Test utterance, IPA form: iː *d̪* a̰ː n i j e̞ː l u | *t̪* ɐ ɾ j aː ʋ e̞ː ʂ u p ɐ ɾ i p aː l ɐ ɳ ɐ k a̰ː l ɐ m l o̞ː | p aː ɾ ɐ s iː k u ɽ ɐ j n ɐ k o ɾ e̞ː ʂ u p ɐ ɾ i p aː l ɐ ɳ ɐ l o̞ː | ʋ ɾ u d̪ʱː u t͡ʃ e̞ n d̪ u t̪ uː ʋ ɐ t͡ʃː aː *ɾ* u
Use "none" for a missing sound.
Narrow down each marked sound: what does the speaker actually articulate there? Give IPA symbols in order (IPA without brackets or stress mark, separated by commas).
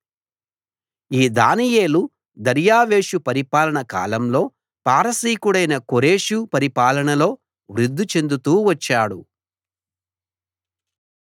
d̪, d̪, ɽ